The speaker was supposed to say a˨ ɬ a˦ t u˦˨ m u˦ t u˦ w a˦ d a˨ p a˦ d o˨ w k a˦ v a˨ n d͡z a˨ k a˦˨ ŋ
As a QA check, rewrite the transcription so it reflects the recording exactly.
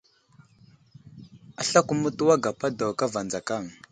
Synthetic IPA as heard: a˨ ɬ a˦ k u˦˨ m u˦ t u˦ w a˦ ɡ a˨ p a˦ d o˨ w k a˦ v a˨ n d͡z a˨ k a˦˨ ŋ